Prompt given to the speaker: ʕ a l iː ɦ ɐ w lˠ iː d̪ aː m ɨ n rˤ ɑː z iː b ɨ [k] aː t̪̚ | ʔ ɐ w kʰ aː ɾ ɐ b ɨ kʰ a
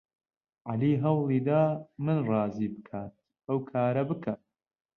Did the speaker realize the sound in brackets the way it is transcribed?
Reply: no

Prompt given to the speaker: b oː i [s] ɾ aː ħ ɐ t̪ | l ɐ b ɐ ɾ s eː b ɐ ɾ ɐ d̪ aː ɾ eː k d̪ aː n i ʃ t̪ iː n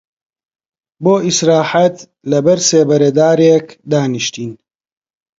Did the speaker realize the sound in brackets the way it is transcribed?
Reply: yes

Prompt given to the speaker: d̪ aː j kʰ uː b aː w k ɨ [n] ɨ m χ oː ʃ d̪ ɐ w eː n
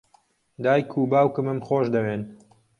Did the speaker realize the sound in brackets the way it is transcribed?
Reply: no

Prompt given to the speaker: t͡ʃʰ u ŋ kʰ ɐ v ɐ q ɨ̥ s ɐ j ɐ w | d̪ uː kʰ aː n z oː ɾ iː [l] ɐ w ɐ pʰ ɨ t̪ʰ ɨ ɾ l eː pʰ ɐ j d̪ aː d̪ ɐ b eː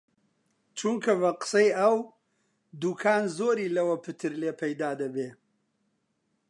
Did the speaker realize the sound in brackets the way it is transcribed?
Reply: yes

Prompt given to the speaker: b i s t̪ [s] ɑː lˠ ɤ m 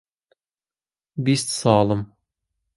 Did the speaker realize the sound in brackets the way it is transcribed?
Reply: yes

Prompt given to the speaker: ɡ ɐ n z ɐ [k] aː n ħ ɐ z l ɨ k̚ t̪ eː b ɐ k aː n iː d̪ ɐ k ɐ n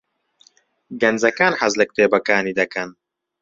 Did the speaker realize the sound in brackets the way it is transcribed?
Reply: yes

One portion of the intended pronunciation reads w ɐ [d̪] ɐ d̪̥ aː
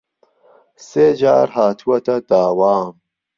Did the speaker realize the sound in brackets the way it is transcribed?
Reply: no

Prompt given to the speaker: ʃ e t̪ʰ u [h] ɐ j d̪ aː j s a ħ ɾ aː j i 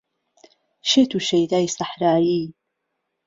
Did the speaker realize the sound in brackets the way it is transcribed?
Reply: no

